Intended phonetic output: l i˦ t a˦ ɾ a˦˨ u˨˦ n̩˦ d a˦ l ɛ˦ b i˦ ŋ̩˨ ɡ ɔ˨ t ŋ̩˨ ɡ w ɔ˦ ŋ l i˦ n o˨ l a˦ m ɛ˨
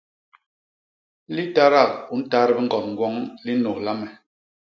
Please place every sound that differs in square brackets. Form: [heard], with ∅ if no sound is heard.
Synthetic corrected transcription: l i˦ t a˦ ɾ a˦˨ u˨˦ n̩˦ [t] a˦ [ɾ] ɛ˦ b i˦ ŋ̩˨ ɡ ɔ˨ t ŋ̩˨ ɡ w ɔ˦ ŋ l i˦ n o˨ l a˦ m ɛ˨